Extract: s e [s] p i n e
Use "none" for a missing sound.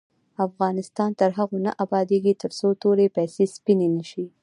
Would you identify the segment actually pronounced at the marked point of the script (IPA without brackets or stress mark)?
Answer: s